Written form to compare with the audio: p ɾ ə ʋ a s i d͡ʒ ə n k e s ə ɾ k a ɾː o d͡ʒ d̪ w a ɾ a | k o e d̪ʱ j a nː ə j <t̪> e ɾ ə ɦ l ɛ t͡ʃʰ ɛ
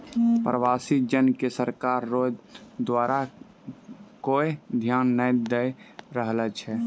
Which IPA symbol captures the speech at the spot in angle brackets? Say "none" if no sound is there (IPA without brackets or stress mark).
d̪